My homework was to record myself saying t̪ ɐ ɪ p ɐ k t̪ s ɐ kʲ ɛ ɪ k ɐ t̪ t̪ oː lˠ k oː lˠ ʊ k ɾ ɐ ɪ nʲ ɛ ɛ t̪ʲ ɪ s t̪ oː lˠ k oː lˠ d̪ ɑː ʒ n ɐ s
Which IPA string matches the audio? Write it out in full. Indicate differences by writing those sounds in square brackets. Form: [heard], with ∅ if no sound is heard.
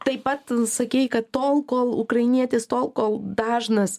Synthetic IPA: t̪ ɐ ɪ p ɐ [∅] t̪ s ɐ kʲ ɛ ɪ k ɐ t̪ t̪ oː lˠ k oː lˠ ʊ k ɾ ɐ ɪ nʲ [i] ɛ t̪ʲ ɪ s t̪ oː lˠ k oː lˠ d̪ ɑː ʒ n ɐ s